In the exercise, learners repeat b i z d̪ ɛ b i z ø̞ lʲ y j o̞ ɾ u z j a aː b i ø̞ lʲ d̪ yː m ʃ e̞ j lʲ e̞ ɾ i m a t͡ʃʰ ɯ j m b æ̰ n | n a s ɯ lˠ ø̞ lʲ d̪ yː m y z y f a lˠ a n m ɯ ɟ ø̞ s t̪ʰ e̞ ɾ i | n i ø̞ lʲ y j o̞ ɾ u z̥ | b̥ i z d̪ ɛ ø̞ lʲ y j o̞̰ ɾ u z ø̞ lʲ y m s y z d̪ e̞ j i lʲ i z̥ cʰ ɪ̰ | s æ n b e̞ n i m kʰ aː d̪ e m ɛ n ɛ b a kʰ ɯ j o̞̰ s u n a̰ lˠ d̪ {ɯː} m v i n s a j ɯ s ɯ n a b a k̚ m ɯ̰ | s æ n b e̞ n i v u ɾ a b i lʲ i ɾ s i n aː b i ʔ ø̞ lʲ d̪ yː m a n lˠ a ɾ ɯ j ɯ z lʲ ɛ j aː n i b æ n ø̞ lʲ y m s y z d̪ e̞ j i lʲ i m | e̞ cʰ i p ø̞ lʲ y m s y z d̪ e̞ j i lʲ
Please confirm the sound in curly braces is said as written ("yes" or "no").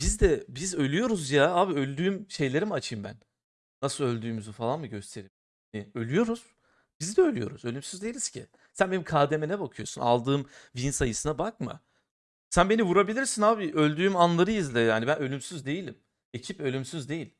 yes